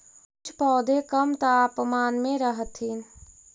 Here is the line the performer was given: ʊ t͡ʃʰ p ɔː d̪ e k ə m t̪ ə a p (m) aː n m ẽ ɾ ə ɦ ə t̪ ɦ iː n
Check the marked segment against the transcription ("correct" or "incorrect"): correct